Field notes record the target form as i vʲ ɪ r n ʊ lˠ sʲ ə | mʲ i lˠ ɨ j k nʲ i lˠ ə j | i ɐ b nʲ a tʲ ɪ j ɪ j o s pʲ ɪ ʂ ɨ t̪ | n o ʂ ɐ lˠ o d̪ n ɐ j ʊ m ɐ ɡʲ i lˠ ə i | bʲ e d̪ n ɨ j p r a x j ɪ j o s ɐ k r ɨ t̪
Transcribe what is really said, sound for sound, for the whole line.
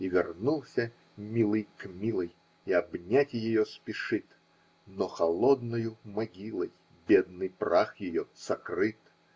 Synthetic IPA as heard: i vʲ ɪ r n u lˠ sʲ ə | mʲ i lˠ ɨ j k mʲ i lˠ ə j | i ɐ b nʲ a tʲ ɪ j ɪ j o s pʲ ɪ ʂ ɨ t̪ | n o x ɐ lˠ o d̪ n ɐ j ʊ m ɐ ɡʲ i lˠ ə j | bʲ e d̪ n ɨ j p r a x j ɪ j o s ɐ k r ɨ t̪